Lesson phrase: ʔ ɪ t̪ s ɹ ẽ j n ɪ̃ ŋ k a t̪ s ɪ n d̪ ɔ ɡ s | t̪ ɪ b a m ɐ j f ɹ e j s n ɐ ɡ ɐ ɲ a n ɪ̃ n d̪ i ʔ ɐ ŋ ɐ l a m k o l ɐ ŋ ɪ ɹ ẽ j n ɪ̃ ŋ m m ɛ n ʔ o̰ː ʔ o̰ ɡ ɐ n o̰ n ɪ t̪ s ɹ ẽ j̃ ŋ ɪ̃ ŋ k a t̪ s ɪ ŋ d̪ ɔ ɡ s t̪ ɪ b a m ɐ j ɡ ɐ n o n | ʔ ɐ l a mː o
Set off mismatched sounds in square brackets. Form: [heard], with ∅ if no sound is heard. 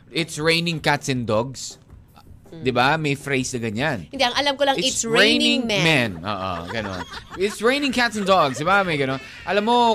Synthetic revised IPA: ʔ ɪ t̪ s ɹ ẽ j n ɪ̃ ŋ k a t̪ s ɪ n d̪ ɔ ɡ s | [d̪] ɪ b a m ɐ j f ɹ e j s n ɐ ɡ ɐ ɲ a n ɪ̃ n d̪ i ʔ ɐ ŋ ɐ l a m k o l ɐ ŋ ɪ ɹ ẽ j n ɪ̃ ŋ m m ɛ n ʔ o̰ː ʔ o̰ ɡ ɐ n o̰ n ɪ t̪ s ɹ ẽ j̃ [n] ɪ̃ ŋ k a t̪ s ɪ [n] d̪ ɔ ɡ s [d̪] ɪ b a m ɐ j ɡ ɐ n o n | ʔ ɐ l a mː o